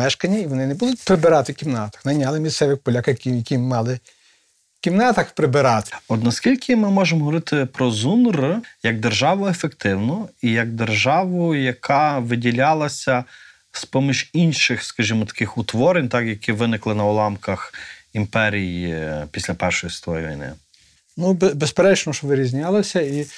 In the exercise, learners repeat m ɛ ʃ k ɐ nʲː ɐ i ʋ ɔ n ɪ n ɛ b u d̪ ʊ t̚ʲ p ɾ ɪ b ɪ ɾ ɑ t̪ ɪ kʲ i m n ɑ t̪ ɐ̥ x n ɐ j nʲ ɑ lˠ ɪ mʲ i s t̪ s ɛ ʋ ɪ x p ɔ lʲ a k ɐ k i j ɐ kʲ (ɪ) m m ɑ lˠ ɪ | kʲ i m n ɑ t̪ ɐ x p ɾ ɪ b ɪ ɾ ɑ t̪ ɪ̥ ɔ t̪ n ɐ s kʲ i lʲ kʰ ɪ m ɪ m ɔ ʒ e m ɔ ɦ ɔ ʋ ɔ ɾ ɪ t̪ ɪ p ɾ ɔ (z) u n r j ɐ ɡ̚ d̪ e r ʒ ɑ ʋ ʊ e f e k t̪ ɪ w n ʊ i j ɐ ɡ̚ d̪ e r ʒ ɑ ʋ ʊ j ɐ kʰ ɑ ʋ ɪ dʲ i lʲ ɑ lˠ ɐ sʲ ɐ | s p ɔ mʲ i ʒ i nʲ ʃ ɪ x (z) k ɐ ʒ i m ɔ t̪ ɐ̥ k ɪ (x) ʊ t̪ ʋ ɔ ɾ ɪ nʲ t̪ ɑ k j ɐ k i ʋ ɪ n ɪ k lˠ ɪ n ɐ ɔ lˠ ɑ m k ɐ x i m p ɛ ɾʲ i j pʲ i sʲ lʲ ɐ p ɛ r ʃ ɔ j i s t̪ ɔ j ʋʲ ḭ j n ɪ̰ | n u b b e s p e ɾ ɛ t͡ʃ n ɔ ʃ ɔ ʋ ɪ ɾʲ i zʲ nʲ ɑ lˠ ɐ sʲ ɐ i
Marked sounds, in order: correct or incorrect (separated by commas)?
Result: incorrect, correct, incorrect, correct